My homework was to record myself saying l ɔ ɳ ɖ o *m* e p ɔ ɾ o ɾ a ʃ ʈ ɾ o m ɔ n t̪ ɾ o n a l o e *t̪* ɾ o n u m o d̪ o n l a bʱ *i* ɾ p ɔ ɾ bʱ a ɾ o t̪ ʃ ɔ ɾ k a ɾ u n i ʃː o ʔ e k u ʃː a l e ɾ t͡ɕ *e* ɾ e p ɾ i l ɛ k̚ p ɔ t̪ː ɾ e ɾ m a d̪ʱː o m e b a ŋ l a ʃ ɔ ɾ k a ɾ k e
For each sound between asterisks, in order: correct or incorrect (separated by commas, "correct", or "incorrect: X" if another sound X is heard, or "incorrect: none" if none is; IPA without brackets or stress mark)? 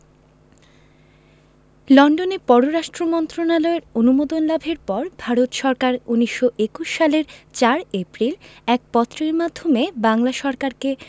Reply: incorrect: n, incorrect: none, incorrect: e, incorrect: a